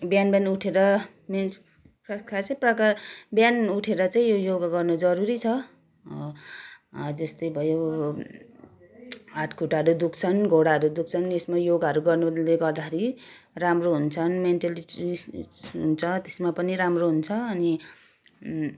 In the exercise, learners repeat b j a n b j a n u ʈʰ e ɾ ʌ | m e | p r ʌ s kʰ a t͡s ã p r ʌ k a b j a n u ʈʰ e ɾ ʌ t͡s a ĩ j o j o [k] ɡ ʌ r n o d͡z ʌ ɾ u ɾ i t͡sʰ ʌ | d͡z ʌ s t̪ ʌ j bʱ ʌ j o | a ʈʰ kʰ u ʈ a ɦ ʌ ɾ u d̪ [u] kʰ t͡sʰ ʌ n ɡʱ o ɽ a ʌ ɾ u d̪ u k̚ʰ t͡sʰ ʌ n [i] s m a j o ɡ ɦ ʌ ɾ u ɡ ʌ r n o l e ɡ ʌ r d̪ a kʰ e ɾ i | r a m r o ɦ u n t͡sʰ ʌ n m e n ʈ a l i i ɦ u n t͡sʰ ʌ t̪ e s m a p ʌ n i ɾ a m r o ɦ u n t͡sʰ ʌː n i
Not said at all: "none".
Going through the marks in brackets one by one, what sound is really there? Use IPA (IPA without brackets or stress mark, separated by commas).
ɡ, u, e